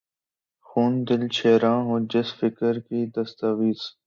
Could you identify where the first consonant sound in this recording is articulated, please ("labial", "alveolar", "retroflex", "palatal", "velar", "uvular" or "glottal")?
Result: velar